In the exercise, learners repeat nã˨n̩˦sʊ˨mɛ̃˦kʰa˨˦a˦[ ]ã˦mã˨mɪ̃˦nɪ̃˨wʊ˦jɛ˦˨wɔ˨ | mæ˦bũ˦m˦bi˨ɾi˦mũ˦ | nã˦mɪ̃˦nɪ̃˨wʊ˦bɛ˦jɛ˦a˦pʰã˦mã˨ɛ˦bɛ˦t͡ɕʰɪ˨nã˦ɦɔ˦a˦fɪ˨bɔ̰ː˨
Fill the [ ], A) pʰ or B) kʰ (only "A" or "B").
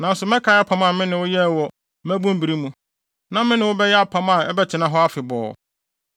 A